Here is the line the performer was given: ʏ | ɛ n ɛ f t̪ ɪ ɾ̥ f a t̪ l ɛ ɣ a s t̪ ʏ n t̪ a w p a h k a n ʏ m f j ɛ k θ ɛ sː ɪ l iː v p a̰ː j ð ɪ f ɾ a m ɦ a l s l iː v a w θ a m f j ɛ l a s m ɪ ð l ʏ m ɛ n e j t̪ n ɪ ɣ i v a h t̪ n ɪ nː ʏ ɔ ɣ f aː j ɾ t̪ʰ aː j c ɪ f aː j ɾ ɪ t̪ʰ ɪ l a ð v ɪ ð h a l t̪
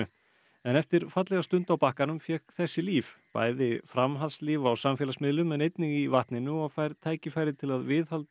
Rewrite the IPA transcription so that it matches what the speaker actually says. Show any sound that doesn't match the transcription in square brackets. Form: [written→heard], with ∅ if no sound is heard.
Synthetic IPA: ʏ | ɛ n ɛ f t̪ ɪ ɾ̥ f a t̪ l ɛ ɣ a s t̪ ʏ n t̪ a w p a h k a n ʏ m f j ɛ k θ ɛ sː ɪ l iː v p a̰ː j ð ɪ f ɾ a m ɦ a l s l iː v a w [θ→s] a m f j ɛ l a s m ɪ ð l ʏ m ɛ n e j t̪ n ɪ ɣ i v a h t̪ n ɪ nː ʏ ɔ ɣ f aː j ɾ t̪ʰ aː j c ɪ f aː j ɾ ɪ t̪ʰ ɪ l a ð v ɪ ð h a l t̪